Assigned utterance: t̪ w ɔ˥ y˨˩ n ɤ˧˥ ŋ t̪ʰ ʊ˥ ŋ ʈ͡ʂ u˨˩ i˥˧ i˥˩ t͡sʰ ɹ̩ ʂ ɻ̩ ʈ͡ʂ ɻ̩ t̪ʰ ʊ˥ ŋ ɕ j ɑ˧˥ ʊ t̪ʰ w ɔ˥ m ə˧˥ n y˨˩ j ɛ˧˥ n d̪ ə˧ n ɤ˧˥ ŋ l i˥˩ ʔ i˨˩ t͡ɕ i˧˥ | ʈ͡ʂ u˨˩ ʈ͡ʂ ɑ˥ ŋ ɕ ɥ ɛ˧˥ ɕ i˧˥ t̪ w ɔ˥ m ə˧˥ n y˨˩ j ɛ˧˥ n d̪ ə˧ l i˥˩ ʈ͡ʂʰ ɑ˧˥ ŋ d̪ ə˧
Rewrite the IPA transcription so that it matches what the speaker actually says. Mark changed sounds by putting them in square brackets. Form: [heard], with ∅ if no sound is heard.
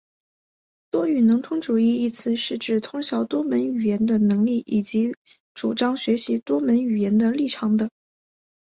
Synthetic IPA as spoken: t̪ w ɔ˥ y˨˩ n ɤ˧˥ ŋ t̪ʰ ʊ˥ ŋ ʈ͡ʂ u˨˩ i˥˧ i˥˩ t͡sʰ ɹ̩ ʂ ɻ̩ ʈ͡ʂ ɻ̩ t̪ʰ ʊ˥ ŋ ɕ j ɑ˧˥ ʊ [t̪] w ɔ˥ m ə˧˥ n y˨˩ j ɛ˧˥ n d̪ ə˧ n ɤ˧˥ ŋ l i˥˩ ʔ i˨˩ t͡ɕ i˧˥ | ʈ͡ʂ u˨˩ ʈ͡ʂ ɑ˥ ŋ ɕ ɥ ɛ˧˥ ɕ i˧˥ t̪ w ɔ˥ m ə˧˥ n y˨˩ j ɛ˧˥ n d̪ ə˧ l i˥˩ ʈ͡ʂʰ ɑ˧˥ ŋ d̪ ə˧